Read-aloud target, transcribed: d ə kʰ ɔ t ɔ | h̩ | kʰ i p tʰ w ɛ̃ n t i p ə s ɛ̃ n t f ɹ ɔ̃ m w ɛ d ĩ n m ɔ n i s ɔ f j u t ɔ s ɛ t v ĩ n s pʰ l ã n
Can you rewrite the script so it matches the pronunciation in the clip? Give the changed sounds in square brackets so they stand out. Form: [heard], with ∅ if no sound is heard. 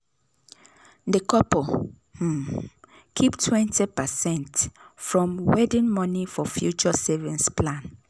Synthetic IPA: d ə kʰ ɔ [p] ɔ | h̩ | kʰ i p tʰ w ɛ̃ n t i p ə s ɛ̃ n t f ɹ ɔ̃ m w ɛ d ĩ n m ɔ n i [f] ɔ f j u [t͡ʃ] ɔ s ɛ [∅] v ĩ n s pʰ l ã n